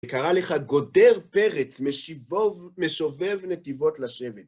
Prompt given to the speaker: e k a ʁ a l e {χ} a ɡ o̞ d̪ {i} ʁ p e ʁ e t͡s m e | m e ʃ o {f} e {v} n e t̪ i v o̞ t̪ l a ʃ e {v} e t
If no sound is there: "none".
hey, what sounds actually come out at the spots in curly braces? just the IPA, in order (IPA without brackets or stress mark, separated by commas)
χ, e, v, v, v